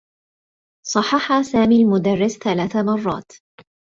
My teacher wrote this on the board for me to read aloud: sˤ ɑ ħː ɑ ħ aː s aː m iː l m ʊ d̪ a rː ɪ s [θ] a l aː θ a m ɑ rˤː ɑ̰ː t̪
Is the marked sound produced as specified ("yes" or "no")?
yes